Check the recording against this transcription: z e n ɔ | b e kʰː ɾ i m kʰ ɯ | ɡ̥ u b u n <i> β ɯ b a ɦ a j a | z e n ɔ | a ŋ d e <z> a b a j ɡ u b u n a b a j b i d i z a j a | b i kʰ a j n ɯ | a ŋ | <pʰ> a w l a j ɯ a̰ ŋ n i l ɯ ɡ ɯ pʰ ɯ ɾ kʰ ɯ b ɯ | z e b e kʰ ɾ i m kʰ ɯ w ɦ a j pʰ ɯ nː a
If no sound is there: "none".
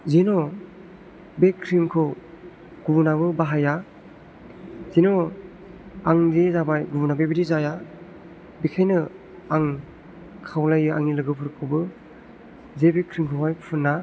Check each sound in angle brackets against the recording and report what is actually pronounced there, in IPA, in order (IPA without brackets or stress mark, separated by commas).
a, z, kʰ